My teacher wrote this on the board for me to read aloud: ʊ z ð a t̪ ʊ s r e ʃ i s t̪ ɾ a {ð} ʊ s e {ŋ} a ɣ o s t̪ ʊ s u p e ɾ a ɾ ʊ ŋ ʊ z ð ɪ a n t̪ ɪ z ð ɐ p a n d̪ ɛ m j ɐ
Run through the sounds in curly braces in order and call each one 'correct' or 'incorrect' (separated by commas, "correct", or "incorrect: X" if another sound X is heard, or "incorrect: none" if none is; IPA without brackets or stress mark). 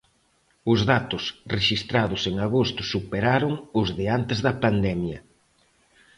correct, correct